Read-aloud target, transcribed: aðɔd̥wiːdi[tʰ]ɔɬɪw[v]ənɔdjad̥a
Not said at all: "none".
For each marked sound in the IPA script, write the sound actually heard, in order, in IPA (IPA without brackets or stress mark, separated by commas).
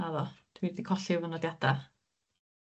kʰ, v